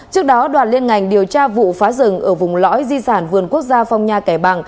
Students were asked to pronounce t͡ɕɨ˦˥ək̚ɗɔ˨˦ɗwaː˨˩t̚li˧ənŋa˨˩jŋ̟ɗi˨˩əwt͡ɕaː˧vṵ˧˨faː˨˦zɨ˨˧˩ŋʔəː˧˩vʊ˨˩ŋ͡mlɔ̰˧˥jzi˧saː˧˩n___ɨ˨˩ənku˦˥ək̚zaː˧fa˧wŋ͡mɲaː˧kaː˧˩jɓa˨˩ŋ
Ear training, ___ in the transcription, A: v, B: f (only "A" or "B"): A